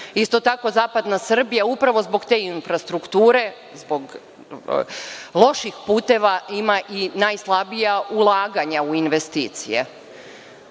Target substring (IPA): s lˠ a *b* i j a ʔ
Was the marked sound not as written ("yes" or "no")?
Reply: no